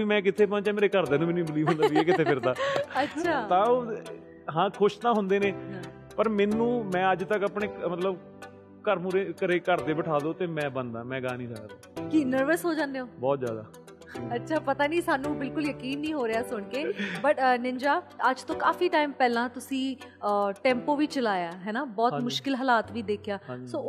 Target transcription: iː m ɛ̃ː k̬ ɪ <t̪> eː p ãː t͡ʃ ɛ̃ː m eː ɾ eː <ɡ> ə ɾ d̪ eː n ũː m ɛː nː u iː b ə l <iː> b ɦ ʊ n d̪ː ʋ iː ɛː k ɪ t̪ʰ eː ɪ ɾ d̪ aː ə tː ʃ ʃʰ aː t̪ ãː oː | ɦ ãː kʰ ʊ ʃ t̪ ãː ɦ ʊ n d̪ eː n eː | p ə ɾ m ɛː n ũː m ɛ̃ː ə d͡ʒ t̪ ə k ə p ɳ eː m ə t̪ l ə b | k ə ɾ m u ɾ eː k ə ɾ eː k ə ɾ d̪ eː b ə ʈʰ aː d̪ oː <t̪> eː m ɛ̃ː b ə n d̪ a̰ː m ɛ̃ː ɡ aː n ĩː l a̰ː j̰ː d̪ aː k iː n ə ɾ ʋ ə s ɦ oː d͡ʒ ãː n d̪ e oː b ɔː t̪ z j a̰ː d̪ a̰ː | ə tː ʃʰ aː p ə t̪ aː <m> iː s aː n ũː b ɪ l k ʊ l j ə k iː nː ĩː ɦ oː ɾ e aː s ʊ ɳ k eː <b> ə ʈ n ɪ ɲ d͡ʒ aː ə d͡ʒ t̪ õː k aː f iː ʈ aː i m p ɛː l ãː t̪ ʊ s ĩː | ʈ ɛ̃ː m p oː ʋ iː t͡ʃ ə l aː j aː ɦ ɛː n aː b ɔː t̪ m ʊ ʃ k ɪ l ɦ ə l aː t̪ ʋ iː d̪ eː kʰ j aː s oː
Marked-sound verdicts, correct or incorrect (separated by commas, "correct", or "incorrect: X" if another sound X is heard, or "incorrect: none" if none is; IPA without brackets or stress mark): incorrect: t̪ʰ, incorrect: k, correct, correct, incorrect: n, correct